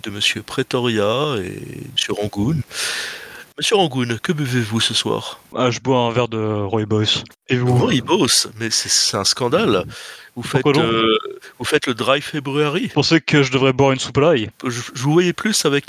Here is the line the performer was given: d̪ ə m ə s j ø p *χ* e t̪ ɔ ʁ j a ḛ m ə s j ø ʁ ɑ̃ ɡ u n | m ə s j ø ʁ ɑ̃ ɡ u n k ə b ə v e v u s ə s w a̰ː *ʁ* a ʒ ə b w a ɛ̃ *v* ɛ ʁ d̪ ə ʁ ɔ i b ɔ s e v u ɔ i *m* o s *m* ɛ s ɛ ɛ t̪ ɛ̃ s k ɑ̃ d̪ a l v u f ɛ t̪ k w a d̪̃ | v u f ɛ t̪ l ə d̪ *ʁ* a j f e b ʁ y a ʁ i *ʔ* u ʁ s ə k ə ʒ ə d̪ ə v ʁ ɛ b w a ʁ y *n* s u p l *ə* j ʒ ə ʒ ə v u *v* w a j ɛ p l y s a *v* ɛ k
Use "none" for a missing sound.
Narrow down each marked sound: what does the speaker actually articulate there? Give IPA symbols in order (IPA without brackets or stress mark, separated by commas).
χ, ʁ, v, b, m, ʁ, p, n, a, v, v